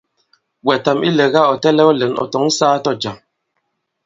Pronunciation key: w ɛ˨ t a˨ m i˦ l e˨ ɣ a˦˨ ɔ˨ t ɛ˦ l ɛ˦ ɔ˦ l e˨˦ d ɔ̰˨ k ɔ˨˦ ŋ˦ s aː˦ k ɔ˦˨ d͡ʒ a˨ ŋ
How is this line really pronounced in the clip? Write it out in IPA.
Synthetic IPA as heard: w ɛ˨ t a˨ m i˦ l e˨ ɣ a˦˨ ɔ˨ t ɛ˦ l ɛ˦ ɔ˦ l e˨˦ n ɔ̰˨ t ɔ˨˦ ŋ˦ s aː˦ t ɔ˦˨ d͡ʒ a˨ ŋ

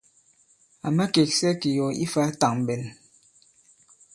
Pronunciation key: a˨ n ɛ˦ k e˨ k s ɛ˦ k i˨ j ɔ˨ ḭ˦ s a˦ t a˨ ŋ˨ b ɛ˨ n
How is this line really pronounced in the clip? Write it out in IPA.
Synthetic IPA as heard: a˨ m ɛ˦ k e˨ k s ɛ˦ k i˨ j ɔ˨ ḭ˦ f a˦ t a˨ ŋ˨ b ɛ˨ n

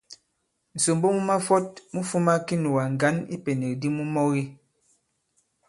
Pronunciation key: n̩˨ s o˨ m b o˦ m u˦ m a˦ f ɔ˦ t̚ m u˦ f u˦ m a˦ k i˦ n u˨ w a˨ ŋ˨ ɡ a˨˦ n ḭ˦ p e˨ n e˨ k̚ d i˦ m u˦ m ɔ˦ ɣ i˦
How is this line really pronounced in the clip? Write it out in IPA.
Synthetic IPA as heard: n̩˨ s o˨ m b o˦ m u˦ m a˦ f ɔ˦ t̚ m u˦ f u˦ m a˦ k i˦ n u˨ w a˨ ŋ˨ ɡ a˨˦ n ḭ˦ p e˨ n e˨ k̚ d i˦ m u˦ m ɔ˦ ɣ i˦

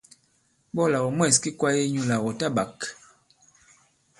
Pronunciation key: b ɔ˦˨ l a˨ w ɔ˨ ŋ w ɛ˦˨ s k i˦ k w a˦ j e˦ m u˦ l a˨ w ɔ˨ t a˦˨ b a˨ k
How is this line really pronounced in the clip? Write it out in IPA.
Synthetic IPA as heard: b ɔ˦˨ l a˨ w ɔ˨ m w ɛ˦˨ s k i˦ k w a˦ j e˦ ɲ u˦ l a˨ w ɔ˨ t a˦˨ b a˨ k

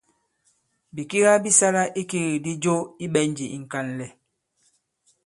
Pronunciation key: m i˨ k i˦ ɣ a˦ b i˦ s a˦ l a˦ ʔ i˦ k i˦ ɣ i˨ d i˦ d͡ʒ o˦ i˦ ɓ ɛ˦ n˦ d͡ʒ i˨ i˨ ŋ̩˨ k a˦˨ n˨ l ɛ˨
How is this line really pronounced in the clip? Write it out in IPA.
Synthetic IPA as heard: b i˨ k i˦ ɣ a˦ b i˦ s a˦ l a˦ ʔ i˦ k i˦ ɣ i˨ d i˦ d͡ʒ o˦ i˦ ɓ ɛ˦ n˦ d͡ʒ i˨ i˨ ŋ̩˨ k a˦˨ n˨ l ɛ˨

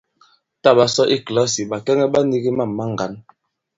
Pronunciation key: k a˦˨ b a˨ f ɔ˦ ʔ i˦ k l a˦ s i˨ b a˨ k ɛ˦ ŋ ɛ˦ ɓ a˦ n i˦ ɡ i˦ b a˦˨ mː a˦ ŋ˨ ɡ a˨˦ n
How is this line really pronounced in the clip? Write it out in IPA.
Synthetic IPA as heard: t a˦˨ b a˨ s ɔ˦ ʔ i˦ k l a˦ s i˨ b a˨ k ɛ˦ ŋ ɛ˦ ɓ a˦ n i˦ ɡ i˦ m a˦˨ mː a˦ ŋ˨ ɡ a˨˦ n

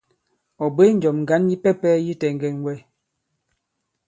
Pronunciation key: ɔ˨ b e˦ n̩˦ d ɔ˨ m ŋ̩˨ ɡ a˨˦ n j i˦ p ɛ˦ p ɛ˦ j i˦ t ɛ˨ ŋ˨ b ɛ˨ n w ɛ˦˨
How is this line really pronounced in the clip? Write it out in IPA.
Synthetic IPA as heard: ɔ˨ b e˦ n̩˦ d͡ʒ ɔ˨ m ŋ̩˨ ɡ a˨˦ n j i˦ p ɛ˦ p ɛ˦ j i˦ t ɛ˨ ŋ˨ ɡ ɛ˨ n w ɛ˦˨

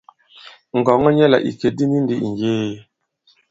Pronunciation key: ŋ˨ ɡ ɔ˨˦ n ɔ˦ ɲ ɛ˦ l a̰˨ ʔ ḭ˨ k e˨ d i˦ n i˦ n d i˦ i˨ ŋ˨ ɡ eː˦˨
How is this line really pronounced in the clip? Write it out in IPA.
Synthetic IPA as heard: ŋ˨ ɡ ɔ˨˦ ŋ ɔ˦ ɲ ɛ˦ l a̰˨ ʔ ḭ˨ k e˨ d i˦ n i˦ n d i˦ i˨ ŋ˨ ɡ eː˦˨

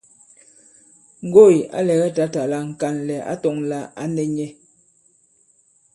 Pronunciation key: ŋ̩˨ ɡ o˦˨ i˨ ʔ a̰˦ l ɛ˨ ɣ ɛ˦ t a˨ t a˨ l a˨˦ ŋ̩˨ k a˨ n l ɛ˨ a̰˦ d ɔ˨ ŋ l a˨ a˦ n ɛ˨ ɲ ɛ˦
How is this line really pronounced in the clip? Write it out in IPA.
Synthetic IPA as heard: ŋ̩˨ ɡ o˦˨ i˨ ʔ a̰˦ l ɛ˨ ɣ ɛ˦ t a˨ t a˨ l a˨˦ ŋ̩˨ k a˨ n l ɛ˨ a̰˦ t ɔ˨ ŋ l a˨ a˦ n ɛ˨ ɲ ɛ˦

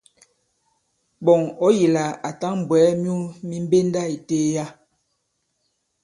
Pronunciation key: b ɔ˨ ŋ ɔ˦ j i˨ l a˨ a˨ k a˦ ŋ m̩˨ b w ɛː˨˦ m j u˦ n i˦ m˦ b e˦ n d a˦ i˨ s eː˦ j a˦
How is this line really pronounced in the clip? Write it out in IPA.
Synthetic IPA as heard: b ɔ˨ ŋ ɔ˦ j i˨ l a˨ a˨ t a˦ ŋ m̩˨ b w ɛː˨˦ m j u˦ m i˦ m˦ b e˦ n d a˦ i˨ t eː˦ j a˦

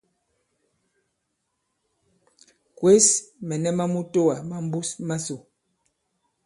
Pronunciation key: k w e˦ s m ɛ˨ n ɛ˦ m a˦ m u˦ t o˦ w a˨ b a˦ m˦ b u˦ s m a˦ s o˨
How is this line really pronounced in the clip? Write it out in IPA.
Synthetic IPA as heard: k w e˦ s m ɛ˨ n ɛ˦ m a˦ m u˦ t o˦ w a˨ m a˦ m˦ b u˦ s m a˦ s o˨

